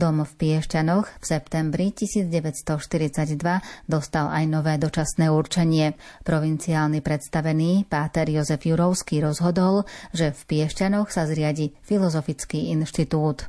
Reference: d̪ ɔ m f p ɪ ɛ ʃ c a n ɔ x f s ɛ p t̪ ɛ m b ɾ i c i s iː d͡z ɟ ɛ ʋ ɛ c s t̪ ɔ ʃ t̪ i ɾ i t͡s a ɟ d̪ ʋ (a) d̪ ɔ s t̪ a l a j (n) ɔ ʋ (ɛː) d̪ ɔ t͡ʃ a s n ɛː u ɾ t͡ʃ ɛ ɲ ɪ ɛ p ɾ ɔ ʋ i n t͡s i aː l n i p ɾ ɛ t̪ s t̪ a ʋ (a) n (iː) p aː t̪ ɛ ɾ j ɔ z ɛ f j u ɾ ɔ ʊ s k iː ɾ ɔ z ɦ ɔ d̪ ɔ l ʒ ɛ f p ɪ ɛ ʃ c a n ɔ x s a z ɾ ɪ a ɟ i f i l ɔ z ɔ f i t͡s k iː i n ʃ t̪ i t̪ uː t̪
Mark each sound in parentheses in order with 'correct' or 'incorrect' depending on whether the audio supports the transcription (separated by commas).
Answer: correct, correct, correct, incorrect, correct